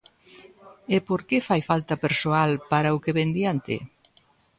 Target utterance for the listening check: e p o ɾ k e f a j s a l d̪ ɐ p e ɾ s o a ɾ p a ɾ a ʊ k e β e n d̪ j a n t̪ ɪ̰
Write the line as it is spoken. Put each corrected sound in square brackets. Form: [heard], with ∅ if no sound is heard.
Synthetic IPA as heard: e p o ɾ k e f a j [f] a l [t̪] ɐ p e ɾ s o a [l] p a ɾ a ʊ k e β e n d̪ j a n t̪ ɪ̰